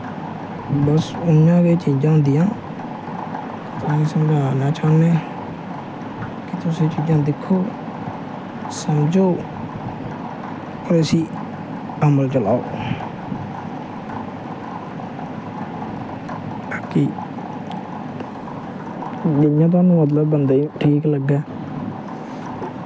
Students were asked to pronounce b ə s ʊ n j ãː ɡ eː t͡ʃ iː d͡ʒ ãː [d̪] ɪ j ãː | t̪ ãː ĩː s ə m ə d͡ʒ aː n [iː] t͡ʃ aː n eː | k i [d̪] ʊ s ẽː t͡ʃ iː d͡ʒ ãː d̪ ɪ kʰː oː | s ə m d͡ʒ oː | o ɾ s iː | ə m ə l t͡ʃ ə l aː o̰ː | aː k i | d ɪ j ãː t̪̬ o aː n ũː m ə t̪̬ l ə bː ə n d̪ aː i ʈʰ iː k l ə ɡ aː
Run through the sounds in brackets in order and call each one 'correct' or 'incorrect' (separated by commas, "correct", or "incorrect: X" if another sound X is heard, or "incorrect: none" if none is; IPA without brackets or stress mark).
correct, incorrect: aː, incorrect: t̪